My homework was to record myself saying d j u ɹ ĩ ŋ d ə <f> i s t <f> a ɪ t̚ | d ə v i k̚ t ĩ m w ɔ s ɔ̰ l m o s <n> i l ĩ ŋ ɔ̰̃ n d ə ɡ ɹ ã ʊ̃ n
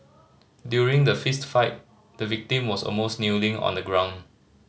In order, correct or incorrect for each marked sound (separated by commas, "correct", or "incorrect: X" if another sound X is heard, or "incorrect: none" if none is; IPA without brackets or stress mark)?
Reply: correct, correct, correct